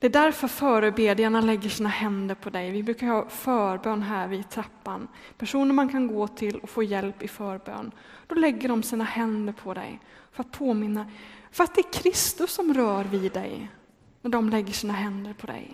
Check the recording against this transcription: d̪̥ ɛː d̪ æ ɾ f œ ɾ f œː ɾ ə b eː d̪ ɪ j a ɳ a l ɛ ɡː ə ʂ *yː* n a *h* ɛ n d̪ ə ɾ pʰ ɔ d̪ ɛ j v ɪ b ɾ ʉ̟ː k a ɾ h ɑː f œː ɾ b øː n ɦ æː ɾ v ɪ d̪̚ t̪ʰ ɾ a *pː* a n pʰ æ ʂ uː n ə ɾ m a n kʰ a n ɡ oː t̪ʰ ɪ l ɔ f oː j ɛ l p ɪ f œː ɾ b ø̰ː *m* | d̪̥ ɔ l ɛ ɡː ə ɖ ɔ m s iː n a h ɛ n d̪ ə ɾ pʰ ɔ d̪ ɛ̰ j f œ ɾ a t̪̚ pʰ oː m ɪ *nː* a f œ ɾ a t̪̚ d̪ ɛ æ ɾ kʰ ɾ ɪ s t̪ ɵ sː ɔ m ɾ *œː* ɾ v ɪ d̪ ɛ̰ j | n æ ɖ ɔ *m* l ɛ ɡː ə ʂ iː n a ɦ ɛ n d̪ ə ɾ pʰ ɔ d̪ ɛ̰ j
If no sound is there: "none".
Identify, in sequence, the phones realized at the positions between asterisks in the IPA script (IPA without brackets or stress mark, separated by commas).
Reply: iː, h, pː, n, nː, œː, m